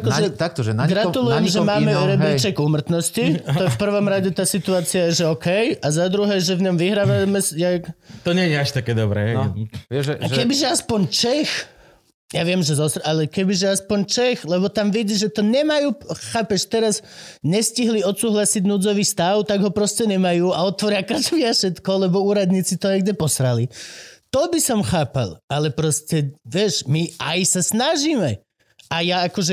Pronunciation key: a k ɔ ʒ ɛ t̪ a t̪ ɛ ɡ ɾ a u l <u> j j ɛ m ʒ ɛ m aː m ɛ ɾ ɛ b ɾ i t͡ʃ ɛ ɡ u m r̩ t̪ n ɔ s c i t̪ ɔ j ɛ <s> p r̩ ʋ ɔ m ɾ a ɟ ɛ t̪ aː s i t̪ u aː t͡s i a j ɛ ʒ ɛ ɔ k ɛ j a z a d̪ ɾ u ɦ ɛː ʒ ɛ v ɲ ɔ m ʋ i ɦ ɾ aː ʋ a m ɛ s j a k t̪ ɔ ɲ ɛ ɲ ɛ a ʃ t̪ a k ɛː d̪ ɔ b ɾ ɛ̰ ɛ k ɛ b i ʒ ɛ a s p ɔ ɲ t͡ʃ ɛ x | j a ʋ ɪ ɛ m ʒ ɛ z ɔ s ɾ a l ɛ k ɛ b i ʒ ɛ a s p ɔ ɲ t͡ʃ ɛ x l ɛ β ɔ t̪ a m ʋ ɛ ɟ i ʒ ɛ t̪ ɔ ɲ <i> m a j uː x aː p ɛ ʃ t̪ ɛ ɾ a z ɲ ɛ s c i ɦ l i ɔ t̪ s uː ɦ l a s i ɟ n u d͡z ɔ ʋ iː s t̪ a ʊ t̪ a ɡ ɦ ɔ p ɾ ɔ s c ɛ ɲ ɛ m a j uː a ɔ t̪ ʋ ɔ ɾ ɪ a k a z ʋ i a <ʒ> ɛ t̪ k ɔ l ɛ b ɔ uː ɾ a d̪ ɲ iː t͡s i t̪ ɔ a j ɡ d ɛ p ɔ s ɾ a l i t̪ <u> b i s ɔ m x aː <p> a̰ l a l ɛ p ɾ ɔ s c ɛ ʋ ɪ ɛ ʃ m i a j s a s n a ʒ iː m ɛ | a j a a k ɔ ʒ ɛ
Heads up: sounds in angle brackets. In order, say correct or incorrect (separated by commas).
correct, incorrect, incorrect, incorrect, incorrect, correct